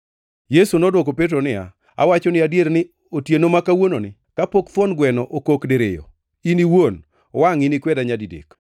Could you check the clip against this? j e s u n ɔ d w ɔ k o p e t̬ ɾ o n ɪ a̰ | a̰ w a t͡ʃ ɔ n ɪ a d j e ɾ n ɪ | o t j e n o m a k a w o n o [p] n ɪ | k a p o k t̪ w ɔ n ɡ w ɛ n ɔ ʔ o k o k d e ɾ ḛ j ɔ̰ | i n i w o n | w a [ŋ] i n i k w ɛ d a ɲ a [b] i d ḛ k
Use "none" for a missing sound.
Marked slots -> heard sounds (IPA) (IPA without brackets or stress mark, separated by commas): none, ŋ, d